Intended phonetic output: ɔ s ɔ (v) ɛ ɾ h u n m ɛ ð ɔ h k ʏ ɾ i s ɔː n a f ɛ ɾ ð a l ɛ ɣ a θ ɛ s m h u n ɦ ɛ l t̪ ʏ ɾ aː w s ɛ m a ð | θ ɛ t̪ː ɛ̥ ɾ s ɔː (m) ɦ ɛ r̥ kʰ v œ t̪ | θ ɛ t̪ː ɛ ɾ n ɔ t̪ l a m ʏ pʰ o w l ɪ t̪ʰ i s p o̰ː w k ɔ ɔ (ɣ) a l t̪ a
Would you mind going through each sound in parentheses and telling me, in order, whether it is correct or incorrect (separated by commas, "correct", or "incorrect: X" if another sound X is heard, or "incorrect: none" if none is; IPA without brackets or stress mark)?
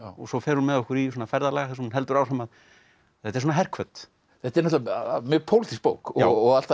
incorrect: f, incorrect: n, correct